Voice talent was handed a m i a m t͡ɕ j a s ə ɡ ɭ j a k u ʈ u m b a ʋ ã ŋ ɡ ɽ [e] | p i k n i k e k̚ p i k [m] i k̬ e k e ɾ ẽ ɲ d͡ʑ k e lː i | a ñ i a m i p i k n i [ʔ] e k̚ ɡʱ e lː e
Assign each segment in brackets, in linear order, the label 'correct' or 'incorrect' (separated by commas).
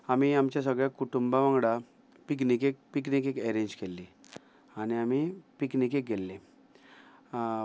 incorrect, incorrect, incorrect